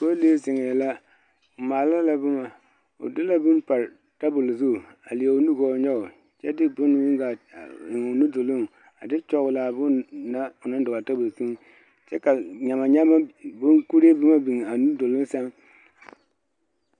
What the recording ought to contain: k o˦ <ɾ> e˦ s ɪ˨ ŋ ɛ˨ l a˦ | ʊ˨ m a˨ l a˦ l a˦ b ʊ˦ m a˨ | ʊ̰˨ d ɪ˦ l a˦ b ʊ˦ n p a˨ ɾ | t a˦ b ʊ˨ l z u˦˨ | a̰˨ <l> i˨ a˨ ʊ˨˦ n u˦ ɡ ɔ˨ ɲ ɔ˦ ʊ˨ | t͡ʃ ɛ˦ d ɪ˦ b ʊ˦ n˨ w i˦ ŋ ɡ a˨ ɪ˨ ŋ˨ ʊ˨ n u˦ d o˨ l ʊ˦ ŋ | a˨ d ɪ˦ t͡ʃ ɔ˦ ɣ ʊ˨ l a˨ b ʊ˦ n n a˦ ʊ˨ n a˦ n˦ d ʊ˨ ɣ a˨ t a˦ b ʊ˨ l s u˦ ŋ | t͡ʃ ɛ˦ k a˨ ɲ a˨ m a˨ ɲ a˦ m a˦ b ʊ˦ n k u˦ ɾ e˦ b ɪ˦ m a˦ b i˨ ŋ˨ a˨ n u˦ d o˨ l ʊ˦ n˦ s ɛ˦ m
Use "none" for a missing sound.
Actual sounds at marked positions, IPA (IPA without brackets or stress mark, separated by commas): l, l